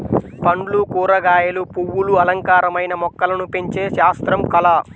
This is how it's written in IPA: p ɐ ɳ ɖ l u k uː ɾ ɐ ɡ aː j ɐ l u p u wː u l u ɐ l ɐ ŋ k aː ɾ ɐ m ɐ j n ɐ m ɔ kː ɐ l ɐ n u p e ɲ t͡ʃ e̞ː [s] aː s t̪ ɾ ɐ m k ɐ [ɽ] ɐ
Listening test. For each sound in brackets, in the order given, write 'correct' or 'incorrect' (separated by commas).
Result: incorrect, incorrect